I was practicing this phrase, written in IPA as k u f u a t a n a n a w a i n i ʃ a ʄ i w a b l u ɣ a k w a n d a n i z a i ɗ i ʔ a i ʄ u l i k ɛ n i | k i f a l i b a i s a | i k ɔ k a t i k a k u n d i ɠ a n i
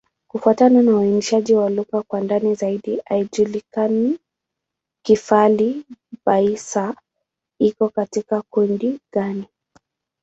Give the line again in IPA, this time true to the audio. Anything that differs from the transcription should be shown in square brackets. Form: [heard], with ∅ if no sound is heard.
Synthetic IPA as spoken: k u f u a t a n a n a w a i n i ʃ a ʄ i w a [∅] l u ɣ a k w a n d a n i z a i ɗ i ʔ a i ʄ u l i k [a] n i | k i f a l i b a i s a | i k ɔ k a t i k a k u n d i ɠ a n i